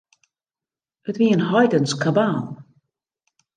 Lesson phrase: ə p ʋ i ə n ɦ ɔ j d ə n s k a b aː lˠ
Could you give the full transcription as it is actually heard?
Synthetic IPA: ə t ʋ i ə n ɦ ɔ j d ə n s k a b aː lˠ